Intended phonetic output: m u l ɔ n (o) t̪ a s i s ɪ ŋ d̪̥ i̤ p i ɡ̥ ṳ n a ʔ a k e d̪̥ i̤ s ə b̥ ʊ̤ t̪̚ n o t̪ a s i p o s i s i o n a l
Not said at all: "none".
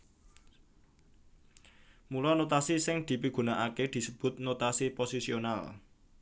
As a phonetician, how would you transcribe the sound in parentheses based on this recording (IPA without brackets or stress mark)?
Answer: o